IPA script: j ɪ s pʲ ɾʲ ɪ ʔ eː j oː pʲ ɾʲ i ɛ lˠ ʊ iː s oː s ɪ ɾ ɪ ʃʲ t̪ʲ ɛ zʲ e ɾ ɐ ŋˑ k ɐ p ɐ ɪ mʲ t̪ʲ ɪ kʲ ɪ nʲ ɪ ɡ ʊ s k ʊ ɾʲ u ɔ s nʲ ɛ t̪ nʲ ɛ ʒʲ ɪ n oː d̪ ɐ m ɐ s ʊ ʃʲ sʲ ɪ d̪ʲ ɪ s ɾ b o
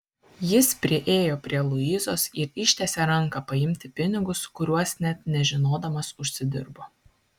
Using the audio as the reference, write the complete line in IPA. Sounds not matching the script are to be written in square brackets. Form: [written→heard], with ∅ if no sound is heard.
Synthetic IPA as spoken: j ɪ s pʲ ɾʲ ɪ ʔ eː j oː pʲ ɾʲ i ɛ lˠ ʊ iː [s→z] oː s ɪ ɾ ɪ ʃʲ t̪ʲ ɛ [zʲ→sʲ] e ɾ ɐ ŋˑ k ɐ p ɐ ɪ mʲ t̪ʲ ɪ [kʲ→pʲ] ɪ nʲ ɪ ɡ ʊ s k ʊ ɾʲ u ɔ s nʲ ɛ t̪ nʲ ɛ ʒʲ ɪ n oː d̪ ɐ m ɐ s ʊ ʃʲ sʲ ɪ d̪ʲ ɪ [s→∅] ɾ b o